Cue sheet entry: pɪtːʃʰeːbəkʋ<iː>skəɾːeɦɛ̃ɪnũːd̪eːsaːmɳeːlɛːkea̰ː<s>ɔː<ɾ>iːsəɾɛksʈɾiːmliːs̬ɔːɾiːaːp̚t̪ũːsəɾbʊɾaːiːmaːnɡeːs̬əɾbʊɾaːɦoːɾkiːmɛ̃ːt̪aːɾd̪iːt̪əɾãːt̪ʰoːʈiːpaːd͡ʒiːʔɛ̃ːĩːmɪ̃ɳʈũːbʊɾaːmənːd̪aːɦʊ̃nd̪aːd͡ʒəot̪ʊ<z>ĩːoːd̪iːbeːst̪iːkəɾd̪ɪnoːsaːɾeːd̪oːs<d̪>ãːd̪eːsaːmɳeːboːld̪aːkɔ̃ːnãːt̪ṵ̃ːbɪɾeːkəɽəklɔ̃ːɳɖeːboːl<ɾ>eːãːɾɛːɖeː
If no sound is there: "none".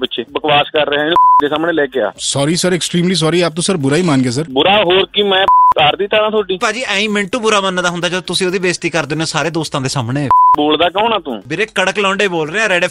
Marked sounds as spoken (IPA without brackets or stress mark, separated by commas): aː, s, ɾ, s, t̪, ɾ